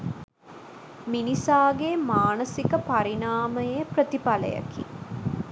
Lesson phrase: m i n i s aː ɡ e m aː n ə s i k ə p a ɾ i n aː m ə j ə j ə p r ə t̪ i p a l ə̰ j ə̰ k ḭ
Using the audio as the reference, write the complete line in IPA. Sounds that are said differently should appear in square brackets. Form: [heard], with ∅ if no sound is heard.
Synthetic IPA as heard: m i n i s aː ɡ e m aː n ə s i k ə p a ɾ i n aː m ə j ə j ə p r ə t̪ i p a l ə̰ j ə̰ k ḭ